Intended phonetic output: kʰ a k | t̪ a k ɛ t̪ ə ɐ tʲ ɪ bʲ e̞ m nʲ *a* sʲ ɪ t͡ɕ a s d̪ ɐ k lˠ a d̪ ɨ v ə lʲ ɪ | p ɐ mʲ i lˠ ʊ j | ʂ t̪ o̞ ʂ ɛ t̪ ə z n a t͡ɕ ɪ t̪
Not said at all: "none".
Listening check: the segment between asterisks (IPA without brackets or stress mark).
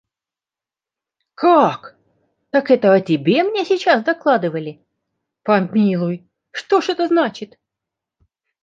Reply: e